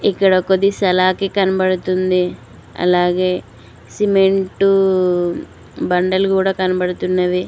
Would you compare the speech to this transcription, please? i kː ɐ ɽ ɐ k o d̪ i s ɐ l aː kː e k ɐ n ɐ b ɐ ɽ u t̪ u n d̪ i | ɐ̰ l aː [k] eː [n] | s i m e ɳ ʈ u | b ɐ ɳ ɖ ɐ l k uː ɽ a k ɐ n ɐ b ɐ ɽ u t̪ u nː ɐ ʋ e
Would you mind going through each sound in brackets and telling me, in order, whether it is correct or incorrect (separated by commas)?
incorrect, incorrect